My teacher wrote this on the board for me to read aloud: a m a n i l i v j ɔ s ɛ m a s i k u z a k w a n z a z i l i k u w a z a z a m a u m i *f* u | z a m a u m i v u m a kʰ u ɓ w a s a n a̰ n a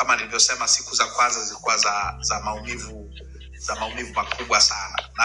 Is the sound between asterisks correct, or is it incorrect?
incorrect